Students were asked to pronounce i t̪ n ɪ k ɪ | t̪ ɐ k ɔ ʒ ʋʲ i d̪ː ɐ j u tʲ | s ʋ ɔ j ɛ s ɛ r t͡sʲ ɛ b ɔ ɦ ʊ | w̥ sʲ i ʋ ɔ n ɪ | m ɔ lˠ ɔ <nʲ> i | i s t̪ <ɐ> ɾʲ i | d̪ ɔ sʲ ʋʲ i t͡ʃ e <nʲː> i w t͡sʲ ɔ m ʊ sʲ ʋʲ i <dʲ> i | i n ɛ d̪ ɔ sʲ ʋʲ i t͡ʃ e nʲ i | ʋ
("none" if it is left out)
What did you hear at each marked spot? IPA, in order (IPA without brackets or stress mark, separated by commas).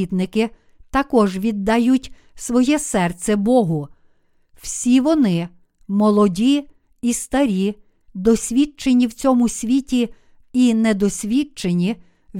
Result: dʲ, ɐ, nʲ, tʲ